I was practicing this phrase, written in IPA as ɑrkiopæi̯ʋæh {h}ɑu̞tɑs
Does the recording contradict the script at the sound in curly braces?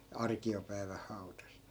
no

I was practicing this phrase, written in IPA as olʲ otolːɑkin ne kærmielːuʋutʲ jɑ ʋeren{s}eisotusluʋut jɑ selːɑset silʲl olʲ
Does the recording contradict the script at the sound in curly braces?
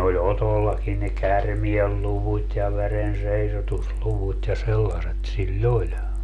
no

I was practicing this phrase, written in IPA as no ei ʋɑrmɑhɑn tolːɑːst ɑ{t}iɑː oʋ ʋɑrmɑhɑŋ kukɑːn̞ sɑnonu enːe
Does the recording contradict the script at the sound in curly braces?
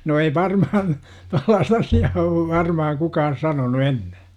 yes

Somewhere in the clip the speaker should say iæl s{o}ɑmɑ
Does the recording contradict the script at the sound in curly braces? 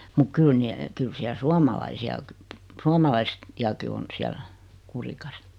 yes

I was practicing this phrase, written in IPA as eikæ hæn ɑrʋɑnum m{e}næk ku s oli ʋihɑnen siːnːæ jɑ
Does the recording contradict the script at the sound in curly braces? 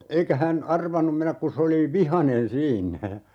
no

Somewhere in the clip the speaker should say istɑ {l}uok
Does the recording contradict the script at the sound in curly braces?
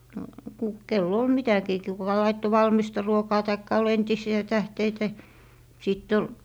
yes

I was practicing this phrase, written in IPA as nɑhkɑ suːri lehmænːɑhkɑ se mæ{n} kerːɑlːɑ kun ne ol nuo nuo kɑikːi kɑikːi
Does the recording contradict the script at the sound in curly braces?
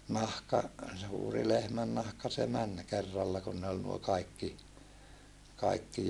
no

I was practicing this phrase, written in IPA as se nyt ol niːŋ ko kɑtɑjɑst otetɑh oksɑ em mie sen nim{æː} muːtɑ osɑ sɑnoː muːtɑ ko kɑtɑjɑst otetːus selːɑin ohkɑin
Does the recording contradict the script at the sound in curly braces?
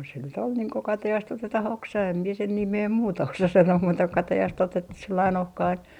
yes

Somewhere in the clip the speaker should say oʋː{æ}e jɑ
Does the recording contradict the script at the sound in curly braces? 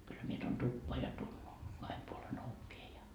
yes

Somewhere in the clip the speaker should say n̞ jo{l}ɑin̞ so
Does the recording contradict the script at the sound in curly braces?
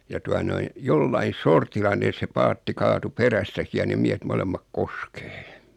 yes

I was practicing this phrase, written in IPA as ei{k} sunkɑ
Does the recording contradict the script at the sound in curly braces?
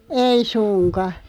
yes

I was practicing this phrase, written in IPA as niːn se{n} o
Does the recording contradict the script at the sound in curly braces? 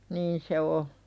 yes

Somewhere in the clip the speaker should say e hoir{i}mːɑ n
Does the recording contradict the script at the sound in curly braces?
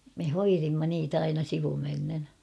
no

